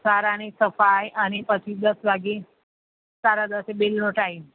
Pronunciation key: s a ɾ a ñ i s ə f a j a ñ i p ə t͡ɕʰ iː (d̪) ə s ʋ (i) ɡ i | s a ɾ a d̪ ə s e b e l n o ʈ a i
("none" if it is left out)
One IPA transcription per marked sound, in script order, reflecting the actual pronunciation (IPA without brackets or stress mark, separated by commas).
d̪, a